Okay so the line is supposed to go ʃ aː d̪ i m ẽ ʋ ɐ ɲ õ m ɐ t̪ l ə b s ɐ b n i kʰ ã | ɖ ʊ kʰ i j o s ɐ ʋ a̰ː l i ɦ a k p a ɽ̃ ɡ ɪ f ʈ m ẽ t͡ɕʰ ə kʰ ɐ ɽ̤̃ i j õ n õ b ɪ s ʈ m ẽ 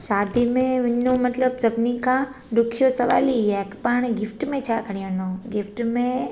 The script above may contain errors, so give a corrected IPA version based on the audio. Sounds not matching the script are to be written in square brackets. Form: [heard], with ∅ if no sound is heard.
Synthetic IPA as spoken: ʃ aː d̪ i m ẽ ʋ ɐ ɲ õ m ɐ t̪ l ə b s ɐ b n i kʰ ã | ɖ ʊ kʰ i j o s ɐ ʋ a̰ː l i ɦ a k p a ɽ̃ ɡ ɪ f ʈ m ẽ t͡ɕʰ [a] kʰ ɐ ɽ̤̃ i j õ n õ [ɡ] ɪ [f] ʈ m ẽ